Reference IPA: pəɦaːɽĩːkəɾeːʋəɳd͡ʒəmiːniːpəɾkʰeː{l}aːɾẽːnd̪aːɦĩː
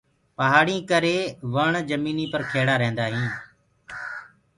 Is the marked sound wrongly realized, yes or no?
yes